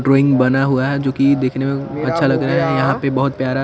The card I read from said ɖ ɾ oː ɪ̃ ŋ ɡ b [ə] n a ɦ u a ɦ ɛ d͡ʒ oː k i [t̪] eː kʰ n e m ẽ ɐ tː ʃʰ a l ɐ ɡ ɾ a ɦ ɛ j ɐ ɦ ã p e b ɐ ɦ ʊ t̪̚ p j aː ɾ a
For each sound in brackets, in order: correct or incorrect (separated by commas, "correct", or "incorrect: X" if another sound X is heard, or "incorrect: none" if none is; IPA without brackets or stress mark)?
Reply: incorrect: ɐ, incorrect: d̪